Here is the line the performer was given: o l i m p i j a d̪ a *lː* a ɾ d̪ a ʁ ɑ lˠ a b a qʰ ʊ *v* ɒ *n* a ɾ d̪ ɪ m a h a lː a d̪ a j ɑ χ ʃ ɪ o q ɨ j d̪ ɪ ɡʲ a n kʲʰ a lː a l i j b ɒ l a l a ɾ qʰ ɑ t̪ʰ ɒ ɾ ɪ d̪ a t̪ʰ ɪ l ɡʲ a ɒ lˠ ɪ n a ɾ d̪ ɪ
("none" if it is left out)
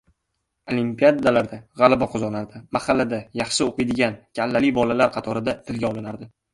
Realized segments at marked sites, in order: l, z, n

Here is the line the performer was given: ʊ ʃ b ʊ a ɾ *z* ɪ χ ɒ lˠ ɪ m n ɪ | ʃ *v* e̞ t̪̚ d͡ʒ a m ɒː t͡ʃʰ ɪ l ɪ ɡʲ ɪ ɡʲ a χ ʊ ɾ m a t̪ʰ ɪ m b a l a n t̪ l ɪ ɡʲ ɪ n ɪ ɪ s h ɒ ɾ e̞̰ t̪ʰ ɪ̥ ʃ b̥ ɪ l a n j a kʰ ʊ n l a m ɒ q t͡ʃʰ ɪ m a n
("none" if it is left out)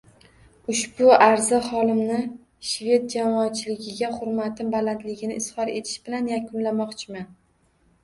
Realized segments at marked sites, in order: z, v

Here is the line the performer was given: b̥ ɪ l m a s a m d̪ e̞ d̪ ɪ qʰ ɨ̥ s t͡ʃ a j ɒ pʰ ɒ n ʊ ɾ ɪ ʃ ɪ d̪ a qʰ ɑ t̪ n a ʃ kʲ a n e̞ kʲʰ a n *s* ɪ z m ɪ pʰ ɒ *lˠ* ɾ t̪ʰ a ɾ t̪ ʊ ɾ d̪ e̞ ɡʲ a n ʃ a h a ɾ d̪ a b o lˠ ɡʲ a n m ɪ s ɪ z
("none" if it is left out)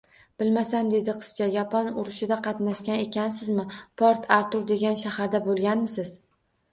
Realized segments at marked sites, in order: s, none

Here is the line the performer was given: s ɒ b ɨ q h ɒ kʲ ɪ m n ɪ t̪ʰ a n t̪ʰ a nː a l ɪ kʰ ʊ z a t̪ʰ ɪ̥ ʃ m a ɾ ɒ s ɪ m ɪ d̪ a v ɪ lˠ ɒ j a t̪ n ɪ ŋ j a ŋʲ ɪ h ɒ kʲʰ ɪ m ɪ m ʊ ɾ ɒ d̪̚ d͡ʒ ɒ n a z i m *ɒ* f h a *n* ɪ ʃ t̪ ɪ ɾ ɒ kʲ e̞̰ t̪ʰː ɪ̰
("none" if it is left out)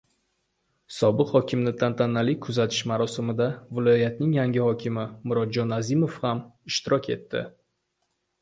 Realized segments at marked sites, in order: o, m

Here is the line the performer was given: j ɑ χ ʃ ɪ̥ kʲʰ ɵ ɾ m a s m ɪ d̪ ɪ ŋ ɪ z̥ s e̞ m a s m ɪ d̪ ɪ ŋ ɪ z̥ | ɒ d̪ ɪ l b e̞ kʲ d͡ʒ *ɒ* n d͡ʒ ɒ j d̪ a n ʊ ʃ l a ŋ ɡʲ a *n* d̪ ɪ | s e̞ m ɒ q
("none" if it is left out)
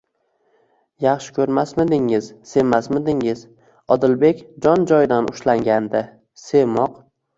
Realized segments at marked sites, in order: ɒ, n

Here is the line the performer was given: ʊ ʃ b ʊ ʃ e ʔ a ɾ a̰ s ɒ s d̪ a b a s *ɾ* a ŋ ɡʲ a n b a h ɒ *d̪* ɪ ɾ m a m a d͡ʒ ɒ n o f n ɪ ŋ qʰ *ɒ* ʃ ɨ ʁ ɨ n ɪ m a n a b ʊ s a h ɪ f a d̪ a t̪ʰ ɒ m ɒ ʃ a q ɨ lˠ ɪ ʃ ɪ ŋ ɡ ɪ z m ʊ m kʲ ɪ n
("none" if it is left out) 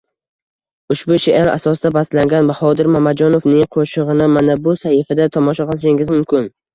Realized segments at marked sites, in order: l, d̪, o

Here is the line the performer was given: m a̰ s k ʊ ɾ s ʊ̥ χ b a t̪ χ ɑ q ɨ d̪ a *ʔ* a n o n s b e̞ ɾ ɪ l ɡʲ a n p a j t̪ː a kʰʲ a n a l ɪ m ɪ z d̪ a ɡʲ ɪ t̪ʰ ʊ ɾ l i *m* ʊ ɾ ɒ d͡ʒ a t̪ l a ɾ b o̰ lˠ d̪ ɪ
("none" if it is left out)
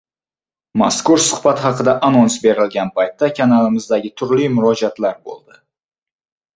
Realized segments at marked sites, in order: ʔ, m

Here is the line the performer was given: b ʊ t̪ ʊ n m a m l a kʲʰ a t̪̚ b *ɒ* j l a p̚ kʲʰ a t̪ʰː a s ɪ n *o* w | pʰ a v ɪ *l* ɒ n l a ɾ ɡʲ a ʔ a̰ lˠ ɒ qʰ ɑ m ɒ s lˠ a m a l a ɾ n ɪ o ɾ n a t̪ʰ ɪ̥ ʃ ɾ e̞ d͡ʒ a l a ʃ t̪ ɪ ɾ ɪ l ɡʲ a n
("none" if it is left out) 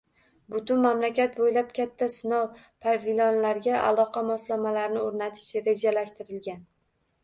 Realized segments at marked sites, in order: o, ɒ, l

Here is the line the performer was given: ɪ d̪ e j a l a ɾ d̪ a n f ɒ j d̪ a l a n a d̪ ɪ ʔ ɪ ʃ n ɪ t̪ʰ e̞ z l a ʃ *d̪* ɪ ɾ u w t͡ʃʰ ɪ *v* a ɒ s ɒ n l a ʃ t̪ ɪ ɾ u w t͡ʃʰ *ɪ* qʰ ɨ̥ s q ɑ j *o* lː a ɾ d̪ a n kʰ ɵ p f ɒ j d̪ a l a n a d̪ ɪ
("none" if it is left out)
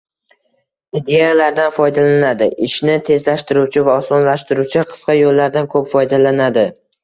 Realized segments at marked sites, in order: t̪, v, ɪ, o

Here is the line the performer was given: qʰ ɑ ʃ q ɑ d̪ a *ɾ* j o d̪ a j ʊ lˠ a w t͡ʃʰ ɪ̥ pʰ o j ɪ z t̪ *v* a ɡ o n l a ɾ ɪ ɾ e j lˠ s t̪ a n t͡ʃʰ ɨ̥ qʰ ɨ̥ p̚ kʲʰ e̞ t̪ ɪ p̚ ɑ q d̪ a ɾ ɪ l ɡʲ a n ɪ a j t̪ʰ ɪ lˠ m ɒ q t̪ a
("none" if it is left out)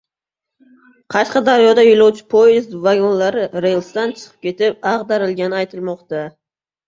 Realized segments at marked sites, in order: ɾ, v

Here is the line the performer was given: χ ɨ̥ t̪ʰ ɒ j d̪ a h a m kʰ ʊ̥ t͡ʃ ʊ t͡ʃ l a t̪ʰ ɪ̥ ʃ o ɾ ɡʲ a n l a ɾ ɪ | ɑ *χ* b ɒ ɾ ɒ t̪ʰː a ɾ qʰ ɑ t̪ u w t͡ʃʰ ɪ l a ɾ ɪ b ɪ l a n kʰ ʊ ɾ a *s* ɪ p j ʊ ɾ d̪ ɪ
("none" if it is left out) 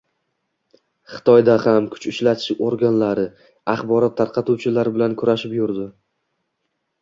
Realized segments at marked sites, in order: χ, ʃ

